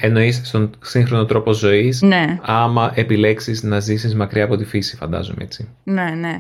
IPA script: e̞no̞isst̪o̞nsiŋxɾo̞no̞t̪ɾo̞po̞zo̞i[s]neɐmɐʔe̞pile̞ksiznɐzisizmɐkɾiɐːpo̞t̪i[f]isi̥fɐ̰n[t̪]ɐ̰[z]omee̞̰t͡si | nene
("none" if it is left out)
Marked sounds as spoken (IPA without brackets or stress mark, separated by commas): s, f, d̪, z